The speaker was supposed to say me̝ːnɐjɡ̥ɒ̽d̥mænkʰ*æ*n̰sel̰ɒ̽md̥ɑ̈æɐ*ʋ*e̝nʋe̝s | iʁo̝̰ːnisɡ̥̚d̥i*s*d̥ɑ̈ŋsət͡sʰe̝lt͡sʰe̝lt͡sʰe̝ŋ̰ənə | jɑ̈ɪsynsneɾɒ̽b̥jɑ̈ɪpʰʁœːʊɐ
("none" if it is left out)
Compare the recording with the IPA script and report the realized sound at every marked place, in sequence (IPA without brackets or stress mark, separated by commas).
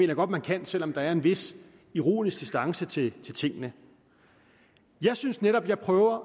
æ, none, s